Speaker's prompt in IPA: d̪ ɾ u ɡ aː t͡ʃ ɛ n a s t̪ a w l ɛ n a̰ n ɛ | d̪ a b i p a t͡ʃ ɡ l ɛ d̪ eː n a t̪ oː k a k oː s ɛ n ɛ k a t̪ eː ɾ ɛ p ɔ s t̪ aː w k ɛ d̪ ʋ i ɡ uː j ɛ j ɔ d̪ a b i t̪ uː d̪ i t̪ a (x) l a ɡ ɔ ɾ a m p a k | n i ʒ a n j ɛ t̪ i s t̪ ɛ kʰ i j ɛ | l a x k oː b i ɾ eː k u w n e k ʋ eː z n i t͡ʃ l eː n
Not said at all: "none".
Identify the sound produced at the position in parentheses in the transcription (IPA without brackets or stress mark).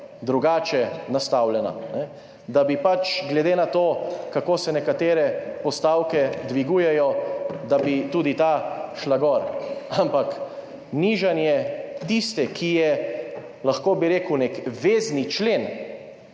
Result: ʃ